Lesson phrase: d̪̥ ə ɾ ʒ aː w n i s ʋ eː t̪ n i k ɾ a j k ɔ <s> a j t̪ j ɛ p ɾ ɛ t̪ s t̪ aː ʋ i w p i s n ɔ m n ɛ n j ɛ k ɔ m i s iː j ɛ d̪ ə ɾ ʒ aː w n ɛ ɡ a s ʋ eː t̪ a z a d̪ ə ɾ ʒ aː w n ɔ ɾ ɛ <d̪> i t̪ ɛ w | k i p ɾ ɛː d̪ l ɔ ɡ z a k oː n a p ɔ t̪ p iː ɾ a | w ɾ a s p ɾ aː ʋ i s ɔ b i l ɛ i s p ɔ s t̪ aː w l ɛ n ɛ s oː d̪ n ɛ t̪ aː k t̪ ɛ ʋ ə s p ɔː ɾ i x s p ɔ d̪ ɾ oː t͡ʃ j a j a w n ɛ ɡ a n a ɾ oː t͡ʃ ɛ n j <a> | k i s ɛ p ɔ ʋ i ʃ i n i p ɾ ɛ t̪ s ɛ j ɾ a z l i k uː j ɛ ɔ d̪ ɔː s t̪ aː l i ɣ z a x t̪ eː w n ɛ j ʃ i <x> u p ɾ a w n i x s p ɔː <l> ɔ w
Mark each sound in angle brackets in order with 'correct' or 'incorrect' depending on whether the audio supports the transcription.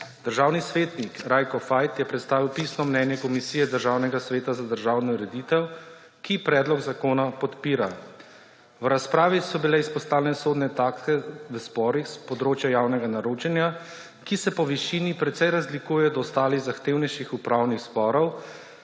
incorrect: f, correct, correct, correct, incorrect: ɾ

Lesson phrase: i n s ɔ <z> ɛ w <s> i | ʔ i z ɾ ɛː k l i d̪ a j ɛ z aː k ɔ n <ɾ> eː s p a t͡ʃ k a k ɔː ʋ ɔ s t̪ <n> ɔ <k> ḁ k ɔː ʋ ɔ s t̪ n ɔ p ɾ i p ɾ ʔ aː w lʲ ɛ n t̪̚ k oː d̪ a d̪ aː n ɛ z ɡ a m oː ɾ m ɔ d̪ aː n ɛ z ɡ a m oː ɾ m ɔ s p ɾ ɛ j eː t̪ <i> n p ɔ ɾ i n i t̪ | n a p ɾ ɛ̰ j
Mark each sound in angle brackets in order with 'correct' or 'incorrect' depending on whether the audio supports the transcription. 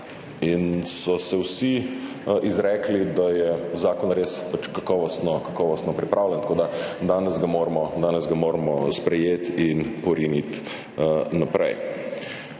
incorrect: s, correct, correct, correct, correct, correct

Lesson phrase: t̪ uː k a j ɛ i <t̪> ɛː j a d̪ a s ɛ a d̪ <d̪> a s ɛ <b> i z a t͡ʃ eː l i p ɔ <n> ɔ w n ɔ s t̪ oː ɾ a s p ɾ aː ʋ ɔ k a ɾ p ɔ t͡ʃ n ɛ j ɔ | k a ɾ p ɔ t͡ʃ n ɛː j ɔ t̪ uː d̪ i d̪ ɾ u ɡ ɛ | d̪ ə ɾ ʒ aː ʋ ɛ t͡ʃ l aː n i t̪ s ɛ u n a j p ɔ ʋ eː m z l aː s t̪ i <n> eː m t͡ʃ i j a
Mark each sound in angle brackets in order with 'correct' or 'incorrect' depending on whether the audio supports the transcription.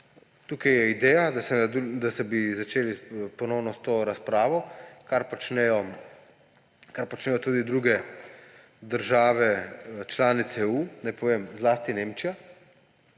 incorrect: d̪, correct, correct, correct, correct

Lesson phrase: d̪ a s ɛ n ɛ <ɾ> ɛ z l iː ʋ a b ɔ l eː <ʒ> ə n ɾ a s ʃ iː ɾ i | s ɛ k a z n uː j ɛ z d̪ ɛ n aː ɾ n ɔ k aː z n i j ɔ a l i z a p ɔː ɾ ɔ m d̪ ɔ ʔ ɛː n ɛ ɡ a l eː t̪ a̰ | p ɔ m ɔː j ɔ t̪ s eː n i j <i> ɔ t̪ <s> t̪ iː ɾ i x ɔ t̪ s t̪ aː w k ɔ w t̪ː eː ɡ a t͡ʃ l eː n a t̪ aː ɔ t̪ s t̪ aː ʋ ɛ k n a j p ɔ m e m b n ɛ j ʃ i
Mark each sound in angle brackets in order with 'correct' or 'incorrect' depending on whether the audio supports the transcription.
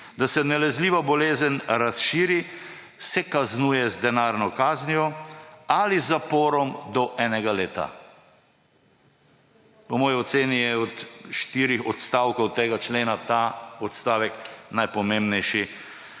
incorrect: l, incorrect: z, incorrect: ɛ, incorrect: ʃ

